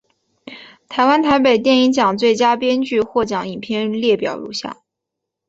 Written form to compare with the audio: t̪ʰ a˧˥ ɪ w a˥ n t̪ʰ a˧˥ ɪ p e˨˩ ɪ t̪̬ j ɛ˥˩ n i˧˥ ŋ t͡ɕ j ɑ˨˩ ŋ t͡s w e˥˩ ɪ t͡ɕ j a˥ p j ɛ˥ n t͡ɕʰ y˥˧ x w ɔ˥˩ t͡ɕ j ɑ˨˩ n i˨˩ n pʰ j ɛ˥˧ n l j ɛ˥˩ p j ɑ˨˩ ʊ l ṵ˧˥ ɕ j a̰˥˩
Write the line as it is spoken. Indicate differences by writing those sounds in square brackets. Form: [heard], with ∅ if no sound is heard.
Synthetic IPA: t̪ʰ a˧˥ ɪ w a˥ n t̪ʰ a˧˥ ɪ p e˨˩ ɪ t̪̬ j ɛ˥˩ n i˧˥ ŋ t͡ɕ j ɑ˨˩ ŋ t͡s w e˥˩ ɪ t͡ɕ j a˥ p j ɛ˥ n [t͡ɕ] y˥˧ x w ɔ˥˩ t͡ɕ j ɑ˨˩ [ŋ] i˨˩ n pʰ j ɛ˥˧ n l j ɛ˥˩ p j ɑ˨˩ ʊ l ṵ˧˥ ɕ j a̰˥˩

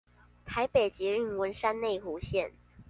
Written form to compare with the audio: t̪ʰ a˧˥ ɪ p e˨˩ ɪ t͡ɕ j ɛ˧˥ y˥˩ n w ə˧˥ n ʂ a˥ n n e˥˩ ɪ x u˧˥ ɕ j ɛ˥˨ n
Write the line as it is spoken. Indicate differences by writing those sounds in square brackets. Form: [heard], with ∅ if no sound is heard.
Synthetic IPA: t̪ʰ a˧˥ ɪ p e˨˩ ɪ t͡ɕ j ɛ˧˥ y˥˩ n w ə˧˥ n ʂ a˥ n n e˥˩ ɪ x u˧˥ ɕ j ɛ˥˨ n

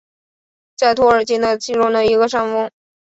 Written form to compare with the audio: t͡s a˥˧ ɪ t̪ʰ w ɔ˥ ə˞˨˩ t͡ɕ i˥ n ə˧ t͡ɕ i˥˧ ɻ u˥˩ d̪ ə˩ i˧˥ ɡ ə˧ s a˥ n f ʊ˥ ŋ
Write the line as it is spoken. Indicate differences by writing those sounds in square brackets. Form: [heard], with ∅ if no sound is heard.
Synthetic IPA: t͡s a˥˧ ɪ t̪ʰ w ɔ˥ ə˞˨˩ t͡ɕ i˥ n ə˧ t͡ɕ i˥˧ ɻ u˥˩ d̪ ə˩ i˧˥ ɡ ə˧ [ʂ] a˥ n f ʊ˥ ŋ

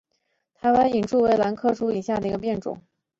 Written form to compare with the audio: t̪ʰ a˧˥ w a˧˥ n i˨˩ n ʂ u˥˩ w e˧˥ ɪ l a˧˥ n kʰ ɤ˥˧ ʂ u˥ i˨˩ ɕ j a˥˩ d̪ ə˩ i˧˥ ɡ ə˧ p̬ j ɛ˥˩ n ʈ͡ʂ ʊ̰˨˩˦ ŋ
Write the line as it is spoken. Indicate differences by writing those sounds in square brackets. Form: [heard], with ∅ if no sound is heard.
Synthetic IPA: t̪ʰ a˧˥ w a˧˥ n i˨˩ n [ʈ͡ʂ] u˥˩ w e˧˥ ɪ l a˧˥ n kʰ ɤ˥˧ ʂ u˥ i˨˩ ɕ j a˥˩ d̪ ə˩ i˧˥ ɡ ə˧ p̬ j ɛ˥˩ n ʈ͡ʂ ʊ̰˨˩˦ ŋ

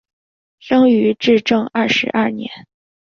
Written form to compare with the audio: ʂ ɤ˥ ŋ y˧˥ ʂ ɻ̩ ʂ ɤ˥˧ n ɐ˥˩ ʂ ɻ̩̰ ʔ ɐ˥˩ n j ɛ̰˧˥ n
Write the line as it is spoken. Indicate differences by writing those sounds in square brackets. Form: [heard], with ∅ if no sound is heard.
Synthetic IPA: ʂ ɤ˥ ŋ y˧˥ [ʈ͡ʂ] ɻ̩ [ʈ͡ʂ] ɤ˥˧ [ŋ] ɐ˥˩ ʂ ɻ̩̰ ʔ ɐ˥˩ n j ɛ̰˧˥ n

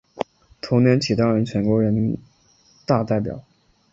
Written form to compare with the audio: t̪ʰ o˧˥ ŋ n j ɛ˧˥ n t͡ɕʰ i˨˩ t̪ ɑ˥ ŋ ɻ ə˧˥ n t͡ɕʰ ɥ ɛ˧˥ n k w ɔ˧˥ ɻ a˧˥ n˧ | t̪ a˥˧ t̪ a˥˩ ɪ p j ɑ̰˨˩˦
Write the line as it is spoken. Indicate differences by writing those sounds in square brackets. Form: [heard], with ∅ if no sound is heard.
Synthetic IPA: t̪ʰ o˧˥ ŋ n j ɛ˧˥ n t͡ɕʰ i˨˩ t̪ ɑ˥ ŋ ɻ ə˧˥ n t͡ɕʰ ɥ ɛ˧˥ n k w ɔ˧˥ ɻ [ə˧˥] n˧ | t̪ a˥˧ t̪ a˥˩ ɪ p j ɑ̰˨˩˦

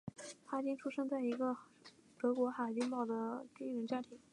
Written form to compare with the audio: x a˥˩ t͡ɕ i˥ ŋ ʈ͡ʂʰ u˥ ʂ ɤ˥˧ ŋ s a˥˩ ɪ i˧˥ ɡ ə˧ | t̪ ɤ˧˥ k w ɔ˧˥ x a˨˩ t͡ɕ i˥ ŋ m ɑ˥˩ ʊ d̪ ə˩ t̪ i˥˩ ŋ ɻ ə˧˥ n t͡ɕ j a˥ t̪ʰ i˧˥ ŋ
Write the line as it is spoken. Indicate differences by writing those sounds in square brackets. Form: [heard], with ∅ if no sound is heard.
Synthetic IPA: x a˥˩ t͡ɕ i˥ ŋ ʈ͡ʂʰ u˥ ʂ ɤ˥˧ ŋ [t͡s] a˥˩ ɪ i˧˥ ɡ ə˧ | t̪ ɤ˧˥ k w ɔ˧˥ x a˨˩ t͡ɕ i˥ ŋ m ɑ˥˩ ʊ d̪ ə˩ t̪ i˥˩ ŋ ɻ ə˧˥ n t͡ɕ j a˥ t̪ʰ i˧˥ ŋ

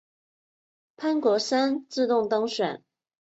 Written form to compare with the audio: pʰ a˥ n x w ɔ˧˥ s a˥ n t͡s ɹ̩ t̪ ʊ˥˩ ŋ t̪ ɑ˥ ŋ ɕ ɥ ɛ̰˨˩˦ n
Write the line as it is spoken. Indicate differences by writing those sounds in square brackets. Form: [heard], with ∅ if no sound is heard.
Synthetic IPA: pʰ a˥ n [k] w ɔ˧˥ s a˥ n t͡s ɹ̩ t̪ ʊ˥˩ ŋ t̪ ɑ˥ ŋ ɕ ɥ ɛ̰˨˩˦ n

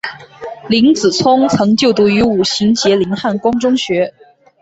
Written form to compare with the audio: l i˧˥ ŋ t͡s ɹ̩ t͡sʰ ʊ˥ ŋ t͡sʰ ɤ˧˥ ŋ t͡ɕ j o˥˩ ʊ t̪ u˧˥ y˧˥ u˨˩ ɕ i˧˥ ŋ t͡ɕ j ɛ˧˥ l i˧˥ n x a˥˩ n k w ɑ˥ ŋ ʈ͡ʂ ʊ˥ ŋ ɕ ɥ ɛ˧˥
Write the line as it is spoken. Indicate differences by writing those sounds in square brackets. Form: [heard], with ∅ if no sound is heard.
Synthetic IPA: l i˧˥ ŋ t͡s ɹ̩ t͡sʰ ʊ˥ ŋ t͡sʰ ɤ˧˥ ŋ t͡ɕ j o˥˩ ʊ t̪ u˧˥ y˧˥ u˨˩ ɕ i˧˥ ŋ t͡ɕ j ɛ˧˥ l i˧˥ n x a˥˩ n k w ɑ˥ ŋ ʈ͡ʂ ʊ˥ ŋ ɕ ɥ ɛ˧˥

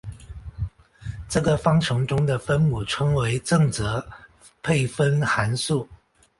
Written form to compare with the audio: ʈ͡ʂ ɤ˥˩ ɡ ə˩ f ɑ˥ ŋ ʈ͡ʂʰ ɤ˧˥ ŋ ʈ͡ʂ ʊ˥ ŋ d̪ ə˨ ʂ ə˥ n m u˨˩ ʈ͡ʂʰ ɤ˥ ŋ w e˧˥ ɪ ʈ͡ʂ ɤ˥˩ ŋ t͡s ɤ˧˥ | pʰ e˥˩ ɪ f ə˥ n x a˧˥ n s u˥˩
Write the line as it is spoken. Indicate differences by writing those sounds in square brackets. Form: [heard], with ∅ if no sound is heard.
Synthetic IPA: ʈ͡ʂ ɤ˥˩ ɡ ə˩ f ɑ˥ ŋ ʈ͡ʂʰ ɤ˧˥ ŋ ʈ͡ʂ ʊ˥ ŋ d̪ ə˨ [f] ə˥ n m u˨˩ ʈ͡ʂʰ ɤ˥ ŋ w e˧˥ ɪ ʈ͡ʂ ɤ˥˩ ŋ t͡s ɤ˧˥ | pʰ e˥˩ ɪ f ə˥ n x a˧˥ n s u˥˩

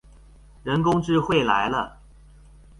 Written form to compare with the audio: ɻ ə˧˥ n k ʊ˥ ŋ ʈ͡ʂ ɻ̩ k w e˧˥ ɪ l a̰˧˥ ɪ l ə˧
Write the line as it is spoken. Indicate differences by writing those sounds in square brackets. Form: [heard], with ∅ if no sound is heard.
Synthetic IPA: ɻ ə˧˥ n k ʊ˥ ŋ ʈ͡ʂ ɻ̩ [x] w [e˥˩] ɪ l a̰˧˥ ɪ l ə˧

